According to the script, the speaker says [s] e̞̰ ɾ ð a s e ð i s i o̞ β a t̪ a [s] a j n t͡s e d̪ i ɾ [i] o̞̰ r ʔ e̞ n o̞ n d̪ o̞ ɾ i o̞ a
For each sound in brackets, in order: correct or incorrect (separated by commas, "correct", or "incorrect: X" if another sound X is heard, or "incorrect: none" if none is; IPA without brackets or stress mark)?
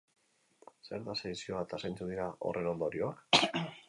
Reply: correct, correct, incorrect: a